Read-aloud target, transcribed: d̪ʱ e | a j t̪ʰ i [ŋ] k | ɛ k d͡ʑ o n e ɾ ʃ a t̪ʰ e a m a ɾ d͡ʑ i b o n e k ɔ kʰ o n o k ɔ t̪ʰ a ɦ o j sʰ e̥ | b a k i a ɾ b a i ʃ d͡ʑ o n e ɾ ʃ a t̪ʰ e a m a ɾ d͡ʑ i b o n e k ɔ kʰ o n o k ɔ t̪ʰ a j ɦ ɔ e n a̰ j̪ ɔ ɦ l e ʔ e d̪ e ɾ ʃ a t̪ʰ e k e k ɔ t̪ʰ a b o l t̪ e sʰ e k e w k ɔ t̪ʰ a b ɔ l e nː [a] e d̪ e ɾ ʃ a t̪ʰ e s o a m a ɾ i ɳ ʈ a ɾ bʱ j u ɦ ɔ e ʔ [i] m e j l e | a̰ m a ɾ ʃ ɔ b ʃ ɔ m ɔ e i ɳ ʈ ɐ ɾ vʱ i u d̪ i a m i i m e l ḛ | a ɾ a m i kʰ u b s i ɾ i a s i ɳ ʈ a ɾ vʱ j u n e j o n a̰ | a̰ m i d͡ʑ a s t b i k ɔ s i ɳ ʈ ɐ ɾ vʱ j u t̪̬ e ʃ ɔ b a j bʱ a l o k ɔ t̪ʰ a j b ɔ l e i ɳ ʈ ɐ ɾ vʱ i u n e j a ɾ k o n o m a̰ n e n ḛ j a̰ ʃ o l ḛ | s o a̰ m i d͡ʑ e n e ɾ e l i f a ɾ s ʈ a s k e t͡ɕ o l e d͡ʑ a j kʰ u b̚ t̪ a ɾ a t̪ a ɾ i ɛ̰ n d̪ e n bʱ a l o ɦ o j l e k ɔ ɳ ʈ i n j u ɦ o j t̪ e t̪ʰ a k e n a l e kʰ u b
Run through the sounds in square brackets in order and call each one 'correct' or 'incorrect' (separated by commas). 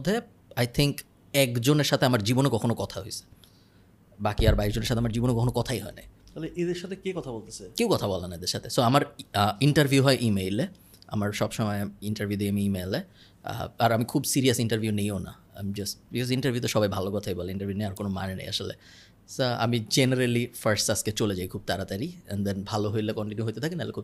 correct, correct, correct